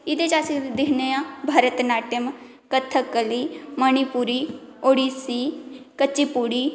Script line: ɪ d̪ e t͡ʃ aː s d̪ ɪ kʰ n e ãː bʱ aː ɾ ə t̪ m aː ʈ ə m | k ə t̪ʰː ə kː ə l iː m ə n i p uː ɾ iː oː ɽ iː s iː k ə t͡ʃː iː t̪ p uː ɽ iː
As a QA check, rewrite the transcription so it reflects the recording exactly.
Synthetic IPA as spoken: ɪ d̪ e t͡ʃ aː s d̪ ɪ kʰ n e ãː bʱ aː ɾ ə t̪ n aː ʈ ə m | k ə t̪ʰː ə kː ə l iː m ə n i p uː ɾ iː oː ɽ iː s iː k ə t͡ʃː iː p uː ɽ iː